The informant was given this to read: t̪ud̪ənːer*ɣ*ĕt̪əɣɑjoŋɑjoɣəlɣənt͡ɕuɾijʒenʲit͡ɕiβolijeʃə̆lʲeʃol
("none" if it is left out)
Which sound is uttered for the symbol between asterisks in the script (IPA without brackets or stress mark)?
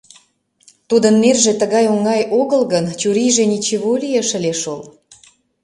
ʒ